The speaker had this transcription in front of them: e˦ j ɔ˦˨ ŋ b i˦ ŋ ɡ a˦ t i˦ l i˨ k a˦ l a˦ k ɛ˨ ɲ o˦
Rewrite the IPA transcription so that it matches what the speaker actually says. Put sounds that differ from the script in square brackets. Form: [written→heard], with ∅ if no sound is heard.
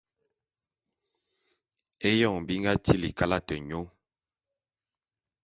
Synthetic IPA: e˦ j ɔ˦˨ ŋ b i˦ ŋ ɡ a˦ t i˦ l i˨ k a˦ l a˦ [k→t] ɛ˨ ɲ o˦

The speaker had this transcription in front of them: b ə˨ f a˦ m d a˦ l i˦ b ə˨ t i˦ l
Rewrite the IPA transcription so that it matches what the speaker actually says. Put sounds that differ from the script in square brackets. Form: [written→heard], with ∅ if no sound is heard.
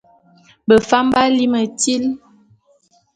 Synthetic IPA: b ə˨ f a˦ m [d→b] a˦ l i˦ [b→m] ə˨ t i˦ l

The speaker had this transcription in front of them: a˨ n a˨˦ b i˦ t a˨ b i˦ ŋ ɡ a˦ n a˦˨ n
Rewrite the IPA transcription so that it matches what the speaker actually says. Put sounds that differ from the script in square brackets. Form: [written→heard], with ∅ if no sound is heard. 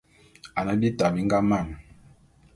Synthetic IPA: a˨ n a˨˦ b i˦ t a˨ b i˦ ŋ ɡ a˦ [n→m] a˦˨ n

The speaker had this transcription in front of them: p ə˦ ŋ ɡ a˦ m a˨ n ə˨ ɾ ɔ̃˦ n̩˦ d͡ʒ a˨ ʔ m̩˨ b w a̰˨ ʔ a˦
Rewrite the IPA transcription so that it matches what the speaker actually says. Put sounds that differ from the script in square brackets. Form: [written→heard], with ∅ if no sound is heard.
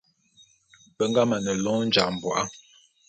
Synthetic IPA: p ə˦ ŋ ɡ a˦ m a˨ n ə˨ [ɾ→l] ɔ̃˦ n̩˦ d͡ʒ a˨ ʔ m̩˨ b w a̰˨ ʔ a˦

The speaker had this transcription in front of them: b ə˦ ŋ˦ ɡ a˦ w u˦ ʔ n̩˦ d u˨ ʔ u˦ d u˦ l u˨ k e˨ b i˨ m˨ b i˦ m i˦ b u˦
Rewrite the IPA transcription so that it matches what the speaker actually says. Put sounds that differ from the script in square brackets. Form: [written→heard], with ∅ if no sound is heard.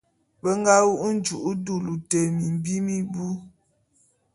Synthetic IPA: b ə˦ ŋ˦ ɡ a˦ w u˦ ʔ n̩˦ [d→d͡ʒ] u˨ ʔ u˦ d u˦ l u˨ [k→t] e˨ [b→m] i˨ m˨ b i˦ m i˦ b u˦

